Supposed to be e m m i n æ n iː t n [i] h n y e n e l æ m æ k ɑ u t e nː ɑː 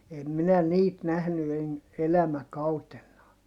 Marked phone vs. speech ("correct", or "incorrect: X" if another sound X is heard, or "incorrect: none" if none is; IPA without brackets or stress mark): incorrect: æ